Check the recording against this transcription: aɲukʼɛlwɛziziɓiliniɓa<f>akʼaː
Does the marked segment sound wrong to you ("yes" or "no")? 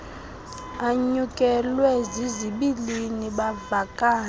yes